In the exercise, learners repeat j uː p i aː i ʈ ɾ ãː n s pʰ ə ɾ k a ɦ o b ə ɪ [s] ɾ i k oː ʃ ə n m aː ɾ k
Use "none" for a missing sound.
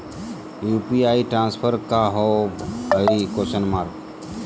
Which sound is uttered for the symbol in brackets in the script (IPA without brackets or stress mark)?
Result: none